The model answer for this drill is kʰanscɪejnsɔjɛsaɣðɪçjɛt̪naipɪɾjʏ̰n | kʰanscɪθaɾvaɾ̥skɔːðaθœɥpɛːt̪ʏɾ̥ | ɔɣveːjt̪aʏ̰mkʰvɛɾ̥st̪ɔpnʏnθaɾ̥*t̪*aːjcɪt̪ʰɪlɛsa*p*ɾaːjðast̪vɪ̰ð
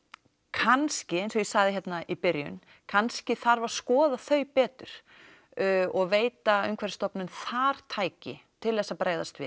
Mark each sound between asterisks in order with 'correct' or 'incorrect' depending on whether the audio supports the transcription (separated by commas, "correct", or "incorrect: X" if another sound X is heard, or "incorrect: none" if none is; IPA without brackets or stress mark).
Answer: incorrect: t̪ʰ, correct